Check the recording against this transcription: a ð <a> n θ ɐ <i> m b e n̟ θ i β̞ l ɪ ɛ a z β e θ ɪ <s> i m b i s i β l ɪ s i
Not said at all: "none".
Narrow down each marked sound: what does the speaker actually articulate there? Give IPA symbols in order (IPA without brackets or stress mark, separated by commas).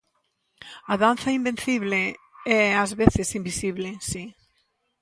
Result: a, i, s